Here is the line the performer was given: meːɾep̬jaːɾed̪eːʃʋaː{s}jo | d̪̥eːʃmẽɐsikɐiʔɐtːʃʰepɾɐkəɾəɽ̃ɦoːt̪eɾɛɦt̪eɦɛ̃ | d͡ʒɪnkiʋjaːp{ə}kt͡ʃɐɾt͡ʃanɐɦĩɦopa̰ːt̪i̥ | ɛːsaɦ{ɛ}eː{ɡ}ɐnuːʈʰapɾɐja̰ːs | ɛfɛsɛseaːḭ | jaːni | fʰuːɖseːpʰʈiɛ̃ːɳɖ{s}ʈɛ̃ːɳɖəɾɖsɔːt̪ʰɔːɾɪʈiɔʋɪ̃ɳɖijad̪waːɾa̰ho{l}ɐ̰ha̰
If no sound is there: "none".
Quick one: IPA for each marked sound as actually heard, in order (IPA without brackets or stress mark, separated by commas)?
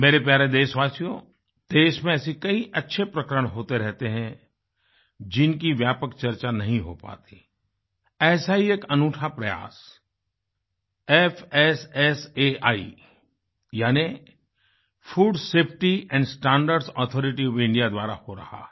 s, ə, i, k, s, ɾ